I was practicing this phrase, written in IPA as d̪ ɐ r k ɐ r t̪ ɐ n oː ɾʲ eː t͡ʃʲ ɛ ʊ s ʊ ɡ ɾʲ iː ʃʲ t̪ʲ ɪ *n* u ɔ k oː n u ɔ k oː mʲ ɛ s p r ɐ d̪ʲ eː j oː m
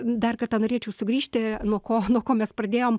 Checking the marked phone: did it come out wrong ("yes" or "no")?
no